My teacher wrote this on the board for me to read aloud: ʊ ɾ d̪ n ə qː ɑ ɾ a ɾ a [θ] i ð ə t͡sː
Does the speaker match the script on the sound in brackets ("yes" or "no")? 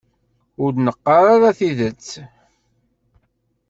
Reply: yes